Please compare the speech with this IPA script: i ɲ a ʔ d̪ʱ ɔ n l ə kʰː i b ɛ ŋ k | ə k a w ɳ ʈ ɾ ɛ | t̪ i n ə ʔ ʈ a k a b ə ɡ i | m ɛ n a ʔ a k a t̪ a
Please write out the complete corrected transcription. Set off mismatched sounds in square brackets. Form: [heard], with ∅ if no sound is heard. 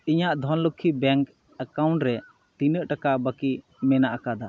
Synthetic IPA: i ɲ a ʔ d̪ʱ ɔ n l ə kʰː i b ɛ ŋ k | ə k a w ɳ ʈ ɾ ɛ | t̪ i n ə ʔ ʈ a k a b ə [k] i | m ɛ n a ʔ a k a [d̪] a